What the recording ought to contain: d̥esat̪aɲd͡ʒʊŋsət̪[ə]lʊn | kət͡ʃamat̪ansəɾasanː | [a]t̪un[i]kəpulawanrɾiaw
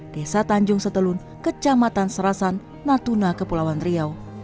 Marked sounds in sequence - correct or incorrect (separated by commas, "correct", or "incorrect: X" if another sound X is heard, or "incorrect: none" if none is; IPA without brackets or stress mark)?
correct, correct, incorrect: a